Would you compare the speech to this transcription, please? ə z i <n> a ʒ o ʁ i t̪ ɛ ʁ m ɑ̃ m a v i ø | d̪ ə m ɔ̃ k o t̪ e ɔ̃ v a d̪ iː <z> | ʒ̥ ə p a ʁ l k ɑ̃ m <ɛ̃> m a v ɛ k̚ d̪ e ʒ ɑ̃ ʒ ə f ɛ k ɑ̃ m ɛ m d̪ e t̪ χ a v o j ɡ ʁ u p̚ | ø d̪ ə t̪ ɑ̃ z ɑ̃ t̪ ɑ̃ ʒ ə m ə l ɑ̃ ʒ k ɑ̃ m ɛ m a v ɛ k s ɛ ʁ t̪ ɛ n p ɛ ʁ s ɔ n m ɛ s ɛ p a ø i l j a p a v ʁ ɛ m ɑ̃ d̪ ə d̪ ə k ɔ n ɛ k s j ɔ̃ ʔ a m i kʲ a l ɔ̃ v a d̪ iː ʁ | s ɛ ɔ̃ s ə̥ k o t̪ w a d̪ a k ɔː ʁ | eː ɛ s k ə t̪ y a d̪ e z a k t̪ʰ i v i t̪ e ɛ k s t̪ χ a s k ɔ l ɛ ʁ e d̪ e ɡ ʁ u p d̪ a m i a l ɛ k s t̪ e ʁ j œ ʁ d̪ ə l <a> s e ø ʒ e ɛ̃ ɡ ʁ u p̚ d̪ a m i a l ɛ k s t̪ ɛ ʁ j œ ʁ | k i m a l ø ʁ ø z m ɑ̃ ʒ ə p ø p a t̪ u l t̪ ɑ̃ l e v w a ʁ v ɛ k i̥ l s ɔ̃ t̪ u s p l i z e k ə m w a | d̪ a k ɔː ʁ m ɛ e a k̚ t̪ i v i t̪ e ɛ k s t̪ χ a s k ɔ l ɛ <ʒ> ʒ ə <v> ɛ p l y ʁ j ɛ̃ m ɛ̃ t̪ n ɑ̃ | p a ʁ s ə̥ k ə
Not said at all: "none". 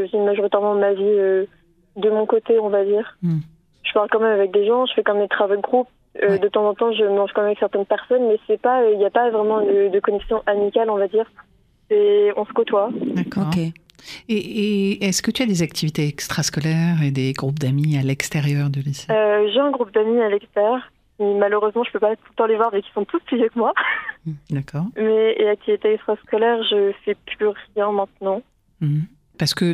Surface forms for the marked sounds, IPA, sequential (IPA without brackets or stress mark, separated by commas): m, ʁ, ɛ, i, ʁ, f